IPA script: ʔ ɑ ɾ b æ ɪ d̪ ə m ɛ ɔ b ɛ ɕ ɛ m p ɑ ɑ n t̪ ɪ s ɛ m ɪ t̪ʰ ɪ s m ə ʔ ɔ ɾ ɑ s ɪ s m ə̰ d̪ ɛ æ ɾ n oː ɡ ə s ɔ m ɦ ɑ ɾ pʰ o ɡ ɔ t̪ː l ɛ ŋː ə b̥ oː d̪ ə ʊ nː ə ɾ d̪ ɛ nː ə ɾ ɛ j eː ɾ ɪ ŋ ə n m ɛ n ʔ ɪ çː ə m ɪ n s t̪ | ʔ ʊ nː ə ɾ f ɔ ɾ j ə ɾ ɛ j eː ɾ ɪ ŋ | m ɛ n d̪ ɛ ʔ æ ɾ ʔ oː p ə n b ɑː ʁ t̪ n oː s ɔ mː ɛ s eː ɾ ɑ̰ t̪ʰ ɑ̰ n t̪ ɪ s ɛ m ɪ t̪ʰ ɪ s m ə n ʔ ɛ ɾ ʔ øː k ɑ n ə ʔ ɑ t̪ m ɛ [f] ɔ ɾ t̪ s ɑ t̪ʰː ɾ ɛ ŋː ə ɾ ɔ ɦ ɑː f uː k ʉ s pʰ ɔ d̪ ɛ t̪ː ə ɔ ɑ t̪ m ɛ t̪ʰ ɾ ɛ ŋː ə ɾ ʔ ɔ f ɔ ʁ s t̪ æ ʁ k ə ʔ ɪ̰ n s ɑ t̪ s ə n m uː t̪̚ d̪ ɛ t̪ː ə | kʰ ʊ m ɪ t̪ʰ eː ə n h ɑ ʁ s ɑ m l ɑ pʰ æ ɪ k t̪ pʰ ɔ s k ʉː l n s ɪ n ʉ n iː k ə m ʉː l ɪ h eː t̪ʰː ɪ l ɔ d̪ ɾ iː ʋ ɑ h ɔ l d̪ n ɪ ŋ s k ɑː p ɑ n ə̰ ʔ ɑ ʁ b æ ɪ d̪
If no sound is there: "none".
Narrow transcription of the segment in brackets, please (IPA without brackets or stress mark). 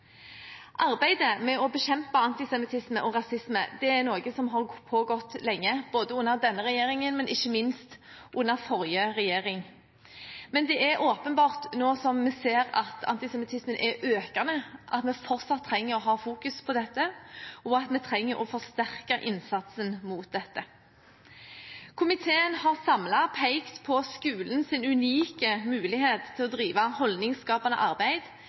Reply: f